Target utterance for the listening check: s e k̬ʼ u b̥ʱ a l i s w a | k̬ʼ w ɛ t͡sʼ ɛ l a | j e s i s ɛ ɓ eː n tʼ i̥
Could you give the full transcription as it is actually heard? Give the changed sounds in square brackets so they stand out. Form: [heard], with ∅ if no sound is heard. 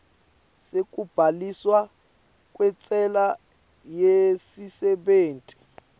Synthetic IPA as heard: s e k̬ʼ u b̥ʱ a l i s w a | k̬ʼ w ɛ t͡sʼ ɛ l a | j e s i s ɛ ɓ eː n tʼ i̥